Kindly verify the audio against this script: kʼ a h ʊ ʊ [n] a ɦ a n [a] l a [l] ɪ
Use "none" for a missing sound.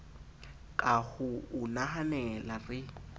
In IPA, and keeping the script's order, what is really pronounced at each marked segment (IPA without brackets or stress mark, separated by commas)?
n, ɛ, r